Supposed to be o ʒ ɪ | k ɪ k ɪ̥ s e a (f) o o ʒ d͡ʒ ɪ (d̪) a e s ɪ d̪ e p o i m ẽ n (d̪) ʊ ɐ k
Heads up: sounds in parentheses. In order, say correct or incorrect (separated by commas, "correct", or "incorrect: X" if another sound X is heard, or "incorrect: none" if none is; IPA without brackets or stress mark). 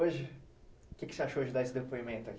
incorrect: ʃ, correct, incorrect: t̪